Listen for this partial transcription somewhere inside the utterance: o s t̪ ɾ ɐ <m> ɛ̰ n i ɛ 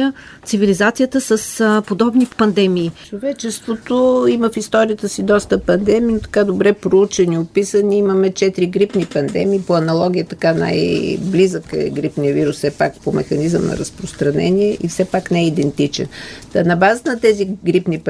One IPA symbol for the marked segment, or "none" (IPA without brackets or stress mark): n